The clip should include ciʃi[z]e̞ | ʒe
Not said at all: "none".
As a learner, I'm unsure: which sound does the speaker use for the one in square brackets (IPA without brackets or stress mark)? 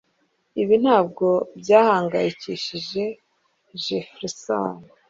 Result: ʒ